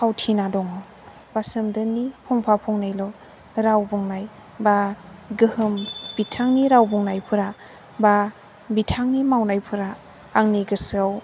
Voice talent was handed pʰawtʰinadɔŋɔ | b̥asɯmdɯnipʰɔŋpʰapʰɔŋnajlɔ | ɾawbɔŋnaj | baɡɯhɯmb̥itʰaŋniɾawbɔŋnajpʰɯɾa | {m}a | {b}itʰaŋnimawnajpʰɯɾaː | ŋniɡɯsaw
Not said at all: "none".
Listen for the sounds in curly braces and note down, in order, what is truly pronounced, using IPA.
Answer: b, b

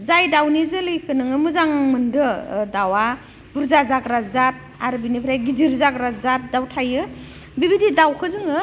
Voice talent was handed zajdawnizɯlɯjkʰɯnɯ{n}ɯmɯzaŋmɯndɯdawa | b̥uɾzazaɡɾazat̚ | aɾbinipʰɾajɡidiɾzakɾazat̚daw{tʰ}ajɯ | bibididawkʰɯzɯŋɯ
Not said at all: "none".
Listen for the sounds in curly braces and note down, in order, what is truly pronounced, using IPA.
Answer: ŋ, tʰ

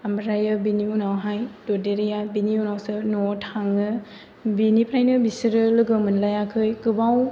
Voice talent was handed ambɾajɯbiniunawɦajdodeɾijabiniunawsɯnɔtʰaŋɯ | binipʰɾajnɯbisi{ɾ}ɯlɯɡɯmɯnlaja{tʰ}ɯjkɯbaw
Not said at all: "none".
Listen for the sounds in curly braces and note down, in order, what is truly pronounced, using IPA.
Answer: ɾ, kʰ

